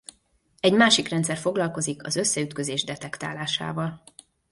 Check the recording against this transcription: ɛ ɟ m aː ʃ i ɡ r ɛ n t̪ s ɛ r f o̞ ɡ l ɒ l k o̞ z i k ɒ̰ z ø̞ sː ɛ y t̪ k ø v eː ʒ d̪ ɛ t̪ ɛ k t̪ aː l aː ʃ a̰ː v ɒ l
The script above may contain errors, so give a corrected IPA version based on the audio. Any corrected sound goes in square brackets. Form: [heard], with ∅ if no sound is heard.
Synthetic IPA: ɛ ɟ m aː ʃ i [k] r ɛ n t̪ s ɛ r f o̞ ɡ l ɒ l k o̞ z i k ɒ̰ z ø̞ sː ɛ y t̪ k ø [z] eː ʒ d̪ ɛ t̪ ɛ k t̪ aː l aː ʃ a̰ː v ɒ l